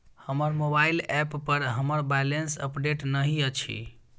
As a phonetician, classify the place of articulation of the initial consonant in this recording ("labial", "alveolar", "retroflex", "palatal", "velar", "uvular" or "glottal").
glottal